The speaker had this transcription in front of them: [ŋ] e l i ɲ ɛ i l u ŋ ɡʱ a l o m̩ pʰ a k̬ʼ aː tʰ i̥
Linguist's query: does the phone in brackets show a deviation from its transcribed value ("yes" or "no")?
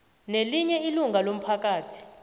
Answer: yes